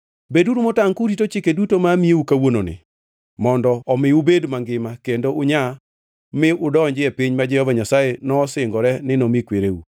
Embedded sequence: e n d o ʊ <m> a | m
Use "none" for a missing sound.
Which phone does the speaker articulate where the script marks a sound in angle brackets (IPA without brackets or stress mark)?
ɲ